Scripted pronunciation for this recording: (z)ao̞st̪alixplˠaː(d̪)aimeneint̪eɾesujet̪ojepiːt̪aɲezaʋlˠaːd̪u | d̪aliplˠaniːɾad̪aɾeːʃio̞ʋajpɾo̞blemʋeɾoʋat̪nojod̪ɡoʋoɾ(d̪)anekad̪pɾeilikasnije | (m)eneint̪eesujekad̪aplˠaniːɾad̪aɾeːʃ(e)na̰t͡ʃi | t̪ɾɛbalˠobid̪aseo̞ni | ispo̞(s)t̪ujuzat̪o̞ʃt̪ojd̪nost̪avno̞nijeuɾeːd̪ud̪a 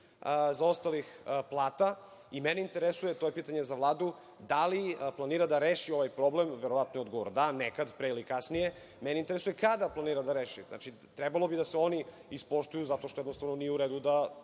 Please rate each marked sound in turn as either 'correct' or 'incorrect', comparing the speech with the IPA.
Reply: correct, incorrect: t̪, correct, correct, incorrect: i, incorrect: ʃ

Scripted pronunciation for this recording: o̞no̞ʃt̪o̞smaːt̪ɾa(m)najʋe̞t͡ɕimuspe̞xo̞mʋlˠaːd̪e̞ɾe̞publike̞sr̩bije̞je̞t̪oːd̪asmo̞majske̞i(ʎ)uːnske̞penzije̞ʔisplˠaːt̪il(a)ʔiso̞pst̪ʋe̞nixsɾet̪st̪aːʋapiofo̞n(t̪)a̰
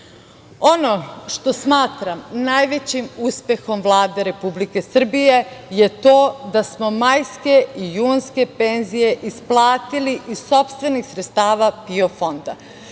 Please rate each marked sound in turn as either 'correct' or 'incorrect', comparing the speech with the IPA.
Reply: correct, incorrect: j, incorrect: i, incorrect: d̪

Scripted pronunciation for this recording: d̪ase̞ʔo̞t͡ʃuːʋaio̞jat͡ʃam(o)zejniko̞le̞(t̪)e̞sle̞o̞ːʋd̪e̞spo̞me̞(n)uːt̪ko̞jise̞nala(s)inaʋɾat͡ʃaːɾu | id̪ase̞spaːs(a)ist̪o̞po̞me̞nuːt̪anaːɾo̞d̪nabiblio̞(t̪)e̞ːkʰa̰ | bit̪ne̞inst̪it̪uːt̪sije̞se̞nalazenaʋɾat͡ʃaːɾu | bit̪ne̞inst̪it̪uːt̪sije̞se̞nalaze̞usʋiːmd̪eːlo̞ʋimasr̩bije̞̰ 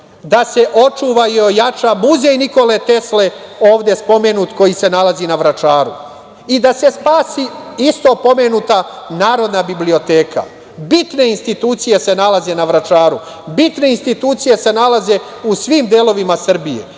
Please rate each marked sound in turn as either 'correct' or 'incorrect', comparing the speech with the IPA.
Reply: incorrect: u, correct, correct, incorrect: z, incorrect: i, correct

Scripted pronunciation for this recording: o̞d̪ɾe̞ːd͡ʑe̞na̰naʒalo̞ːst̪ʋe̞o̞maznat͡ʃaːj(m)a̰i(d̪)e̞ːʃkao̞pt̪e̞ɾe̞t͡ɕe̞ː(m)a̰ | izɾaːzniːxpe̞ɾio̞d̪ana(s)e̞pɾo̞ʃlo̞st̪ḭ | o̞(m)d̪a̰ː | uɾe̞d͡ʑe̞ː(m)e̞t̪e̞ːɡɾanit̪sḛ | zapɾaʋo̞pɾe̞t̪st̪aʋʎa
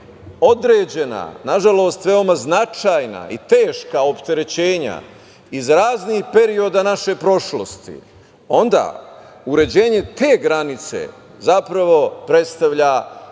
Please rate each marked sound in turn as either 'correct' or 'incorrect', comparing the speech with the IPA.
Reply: incorrect: n, incorrect: t̪, incorrect: ɲ, incorrect: ʃ, incorrect: n, incorrect: ɲ

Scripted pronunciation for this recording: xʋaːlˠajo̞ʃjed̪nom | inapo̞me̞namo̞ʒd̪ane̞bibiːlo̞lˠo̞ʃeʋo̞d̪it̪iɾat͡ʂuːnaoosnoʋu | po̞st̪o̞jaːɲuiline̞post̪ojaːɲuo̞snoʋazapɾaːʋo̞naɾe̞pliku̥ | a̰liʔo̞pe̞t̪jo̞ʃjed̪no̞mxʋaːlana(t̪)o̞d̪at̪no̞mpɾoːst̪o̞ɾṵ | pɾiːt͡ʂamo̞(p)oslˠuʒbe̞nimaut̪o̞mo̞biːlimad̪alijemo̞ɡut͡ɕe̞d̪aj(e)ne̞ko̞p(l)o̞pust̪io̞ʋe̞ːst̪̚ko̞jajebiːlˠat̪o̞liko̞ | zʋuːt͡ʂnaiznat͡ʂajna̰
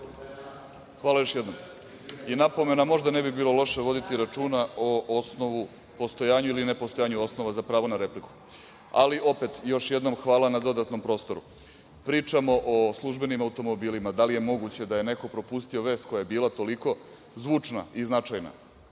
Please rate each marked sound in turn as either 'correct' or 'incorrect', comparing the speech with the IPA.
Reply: incorrect: d̪, incorrect: ʔ, correct, incorrect: ɾ

